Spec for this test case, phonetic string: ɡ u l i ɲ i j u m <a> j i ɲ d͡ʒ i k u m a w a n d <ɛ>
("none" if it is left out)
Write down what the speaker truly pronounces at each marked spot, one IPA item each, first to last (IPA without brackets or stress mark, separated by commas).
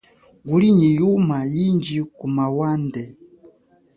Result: a, ɛ